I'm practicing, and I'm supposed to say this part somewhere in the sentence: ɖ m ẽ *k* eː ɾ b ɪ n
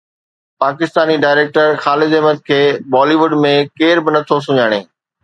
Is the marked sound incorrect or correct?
correct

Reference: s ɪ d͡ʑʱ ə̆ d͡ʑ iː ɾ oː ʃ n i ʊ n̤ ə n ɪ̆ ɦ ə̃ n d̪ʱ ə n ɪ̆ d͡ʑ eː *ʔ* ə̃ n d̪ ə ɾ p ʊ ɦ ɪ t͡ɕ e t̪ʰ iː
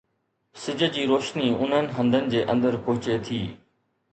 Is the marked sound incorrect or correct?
correct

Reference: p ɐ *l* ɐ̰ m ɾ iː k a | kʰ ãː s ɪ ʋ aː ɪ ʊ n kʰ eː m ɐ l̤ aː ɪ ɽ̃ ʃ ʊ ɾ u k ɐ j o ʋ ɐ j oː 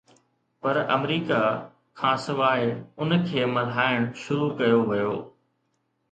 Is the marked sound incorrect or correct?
incorrect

